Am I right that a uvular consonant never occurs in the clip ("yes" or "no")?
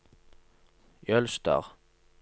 no